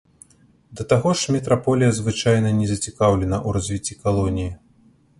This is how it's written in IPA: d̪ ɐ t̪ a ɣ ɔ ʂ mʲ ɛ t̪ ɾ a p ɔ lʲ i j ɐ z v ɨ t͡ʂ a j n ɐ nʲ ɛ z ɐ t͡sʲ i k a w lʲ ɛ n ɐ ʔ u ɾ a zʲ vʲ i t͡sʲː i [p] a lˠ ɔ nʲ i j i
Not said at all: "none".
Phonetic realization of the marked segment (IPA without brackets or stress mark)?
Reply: k